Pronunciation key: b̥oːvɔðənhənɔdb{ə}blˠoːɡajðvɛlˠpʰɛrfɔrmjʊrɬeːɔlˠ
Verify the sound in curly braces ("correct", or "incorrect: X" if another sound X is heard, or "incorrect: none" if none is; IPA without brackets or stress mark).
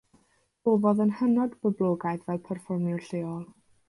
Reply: correct